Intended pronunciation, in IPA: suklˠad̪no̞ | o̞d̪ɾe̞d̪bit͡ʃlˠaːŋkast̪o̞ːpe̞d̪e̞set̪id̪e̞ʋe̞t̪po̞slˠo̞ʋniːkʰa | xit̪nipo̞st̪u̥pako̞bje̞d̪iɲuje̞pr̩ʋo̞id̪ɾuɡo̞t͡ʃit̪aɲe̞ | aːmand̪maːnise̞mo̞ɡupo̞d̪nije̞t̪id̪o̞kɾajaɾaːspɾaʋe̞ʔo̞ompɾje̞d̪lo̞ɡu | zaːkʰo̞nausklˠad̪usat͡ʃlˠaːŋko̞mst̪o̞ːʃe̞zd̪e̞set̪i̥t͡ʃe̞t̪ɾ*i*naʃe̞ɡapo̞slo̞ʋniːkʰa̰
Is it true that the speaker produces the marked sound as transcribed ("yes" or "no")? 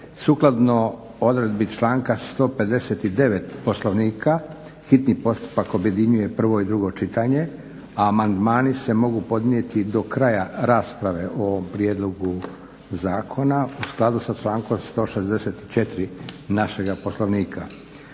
yes